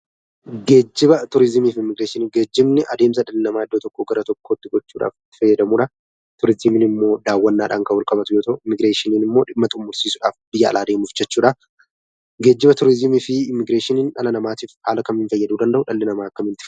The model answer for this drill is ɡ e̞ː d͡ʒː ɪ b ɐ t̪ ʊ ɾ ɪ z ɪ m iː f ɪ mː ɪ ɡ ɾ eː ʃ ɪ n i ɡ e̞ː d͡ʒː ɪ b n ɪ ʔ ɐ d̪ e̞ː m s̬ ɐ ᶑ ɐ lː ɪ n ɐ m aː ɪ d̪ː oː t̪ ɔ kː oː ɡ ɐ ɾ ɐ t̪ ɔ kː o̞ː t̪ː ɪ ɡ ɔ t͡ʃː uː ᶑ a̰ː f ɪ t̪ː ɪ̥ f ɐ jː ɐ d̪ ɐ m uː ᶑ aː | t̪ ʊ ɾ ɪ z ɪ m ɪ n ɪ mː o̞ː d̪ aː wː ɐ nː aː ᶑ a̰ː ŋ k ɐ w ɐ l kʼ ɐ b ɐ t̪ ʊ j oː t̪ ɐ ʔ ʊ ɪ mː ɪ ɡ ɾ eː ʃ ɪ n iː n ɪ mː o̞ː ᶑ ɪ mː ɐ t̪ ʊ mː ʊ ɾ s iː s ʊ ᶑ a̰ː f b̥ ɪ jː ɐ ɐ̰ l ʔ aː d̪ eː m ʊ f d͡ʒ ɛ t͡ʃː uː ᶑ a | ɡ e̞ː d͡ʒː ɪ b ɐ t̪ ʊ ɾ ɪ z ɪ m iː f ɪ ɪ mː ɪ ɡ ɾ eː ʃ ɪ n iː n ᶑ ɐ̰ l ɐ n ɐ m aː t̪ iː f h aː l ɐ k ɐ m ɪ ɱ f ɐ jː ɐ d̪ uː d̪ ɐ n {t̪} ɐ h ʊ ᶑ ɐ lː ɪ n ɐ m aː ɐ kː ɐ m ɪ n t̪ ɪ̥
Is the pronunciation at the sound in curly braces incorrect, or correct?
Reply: incorrect